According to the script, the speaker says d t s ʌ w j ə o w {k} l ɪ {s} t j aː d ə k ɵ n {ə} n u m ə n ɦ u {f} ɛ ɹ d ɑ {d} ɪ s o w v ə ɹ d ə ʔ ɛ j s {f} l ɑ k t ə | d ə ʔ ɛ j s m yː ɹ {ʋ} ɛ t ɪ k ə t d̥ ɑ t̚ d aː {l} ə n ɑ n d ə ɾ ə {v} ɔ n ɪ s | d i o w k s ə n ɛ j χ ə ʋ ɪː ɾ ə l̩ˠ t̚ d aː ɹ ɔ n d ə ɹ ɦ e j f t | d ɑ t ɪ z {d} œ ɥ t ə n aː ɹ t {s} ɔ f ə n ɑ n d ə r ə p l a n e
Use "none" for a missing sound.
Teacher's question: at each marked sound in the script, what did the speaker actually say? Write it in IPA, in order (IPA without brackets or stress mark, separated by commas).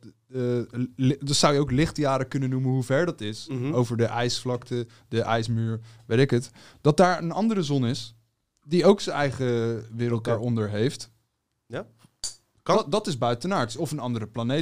k, χ, ə, v, t, f, ʋ, ɹ, z, b, s